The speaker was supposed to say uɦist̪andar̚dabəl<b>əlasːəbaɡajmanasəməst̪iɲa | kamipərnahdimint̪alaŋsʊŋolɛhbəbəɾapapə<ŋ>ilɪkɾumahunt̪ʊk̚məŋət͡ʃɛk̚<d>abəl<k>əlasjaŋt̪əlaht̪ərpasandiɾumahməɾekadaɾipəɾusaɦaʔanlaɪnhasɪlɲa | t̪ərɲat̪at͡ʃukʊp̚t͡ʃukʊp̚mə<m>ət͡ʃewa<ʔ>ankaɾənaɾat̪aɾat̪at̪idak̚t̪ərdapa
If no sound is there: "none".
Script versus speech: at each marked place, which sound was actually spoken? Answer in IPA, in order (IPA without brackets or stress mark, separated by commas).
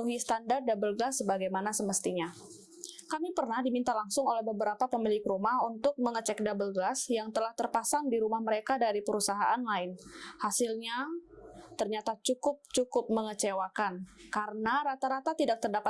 ɡ, m, d, ɡ, ŋ, k